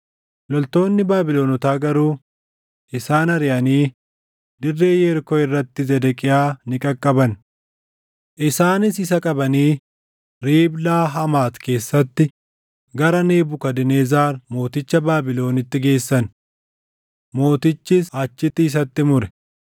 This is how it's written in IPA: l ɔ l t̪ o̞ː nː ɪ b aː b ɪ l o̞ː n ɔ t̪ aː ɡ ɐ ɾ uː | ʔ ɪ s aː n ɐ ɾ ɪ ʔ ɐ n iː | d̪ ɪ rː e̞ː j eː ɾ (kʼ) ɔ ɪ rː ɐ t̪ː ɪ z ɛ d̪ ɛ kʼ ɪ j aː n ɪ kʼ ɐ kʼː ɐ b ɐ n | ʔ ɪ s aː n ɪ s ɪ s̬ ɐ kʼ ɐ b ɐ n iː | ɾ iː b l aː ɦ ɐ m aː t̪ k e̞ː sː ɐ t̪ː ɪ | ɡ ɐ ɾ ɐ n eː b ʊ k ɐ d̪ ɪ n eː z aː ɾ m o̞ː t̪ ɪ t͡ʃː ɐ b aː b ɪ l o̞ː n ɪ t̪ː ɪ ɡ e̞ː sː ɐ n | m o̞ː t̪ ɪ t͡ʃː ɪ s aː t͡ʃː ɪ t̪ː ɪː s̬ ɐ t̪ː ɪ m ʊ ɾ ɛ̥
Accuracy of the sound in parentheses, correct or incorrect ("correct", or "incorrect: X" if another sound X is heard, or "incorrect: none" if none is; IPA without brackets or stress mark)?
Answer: incorrect: k